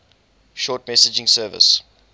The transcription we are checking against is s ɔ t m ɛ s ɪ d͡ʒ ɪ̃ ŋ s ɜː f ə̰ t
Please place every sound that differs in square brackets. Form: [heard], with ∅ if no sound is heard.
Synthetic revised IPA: [ʃ] ɔ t m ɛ s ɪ d͡ʒ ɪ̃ ŋ s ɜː [v] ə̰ [s]